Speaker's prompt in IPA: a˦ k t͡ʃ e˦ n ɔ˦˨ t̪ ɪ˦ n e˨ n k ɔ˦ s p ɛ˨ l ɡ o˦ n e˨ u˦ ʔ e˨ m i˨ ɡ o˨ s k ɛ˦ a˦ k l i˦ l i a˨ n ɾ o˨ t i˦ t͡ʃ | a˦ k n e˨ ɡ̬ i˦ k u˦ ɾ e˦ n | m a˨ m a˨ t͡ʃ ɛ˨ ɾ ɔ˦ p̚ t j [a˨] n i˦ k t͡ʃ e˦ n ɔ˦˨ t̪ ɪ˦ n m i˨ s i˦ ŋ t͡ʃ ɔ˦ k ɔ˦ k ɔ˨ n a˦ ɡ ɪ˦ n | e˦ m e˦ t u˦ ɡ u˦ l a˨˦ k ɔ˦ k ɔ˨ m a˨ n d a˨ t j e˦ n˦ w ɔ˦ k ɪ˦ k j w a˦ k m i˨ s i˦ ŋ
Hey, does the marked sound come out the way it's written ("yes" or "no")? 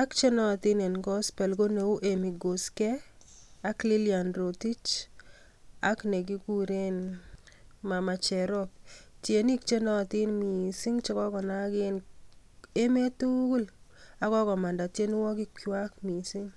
no